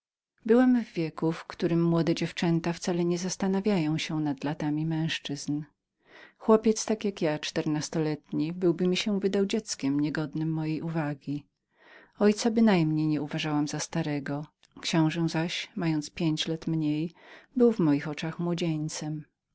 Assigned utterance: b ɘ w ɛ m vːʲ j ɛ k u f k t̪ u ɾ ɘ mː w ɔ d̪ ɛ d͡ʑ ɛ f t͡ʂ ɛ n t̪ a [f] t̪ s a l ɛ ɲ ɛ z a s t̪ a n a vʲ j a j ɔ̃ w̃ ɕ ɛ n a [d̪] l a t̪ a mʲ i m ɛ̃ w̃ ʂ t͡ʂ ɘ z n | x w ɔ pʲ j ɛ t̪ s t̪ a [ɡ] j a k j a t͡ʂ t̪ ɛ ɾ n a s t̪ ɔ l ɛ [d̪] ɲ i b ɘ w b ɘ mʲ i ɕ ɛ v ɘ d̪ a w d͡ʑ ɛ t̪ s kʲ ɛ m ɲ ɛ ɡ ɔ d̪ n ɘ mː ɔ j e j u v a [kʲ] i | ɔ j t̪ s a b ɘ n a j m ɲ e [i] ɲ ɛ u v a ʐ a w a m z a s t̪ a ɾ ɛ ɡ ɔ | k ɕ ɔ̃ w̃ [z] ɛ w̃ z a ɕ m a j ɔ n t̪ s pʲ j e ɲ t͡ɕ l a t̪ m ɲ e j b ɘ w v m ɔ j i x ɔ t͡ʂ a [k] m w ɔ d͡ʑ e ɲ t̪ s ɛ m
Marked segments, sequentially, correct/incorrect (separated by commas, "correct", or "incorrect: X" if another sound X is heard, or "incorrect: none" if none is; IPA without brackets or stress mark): correct, correct, incorrect: k, incorrect: t̪, incorrect: ɡʲ, incorrect: j, incorrect: ʐ, incorrect: x